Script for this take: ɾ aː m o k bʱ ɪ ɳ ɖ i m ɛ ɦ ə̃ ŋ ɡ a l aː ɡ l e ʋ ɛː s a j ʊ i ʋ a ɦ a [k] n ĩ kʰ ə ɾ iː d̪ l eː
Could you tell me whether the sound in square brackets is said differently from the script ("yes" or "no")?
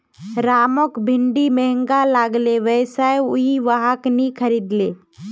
no